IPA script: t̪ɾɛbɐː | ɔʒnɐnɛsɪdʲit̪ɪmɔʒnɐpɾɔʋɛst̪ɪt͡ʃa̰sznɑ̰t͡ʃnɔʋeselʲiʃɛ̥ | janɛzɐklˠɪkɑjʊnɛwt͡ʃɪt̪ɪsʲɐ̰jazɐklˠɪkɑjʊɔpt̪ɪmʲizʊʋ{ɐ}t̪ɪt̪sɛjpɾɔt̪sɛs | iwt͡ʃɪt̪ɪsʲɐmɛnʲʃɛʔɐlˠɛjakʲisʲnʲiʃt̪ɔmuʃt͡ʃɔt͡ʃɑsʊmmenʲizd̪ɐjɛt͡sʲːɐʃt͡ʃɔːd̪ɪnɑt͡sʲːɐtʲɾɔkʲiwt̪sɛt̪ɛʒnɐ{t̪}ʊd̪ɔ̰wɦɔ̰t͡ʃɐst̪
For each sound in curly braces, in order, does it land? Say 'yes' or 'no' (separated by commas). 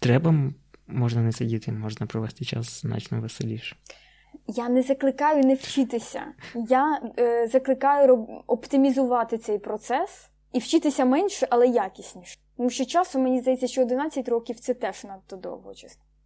no, yes